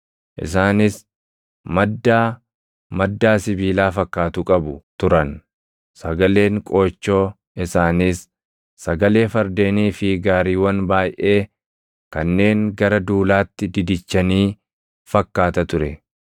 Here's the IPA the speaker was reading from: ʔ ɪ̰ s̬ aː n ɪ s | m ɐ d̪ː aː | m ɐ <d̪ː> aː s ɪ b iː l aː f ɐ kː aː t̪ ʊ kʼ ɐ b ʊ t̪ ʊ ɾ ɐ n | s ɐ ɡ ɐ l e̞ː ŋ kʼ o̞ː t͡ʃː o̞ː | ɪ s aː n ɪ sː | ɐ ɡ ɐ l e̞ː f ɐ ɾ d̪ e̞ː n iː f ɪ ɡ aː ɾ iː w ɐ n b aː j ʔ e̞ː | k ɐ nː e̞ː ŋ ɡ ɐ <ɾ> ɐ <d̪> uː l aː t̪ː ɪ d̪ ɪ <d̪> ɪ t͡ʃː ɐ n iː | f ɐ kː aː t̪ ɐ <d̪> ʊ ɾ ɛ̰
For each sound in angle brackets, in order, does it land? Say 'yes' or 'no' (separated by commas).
yes, yes, yes, yes, no